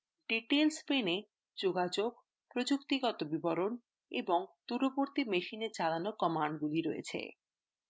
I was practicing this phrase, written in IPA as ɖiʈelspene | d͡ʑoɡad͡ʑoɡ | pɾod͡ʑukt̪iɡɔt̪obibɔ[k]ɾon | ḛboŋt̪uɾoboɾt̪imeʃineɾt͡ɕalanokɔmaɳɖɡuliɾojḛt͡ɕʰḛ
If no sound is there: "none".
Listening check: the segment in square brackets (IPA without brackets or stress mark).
none